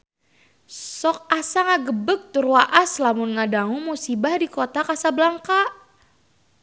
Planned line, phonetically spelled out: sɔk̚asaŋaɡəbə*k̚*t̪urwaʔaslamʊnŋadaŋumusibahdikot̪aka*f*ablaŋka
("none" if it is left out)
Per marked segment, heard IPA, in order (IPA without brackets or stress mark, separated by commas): k̚, s